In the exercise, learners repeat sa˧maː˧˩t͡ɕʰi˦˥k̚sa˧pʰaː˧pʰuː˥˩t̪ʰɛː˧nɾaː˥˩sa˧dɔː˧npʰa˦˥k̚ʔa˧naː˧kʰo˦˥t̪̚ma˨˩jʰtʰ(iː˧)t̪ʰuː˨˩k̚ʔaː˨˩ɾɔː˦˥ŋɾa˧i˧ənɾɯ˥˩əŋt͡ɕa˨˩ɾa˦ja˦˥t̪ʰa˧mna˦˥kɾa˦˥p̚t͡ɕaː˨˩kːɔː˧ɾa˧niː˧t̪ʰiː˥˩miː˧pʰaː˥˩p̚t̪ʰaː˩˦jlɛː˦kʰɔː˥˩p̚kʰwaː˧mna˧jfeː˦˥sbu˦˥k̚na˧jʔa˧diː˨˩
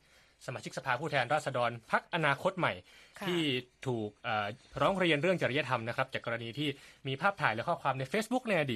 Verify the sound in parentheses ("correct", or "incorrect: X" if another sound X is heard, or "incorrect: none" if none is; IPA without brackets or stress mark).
incorrect: iː˥˩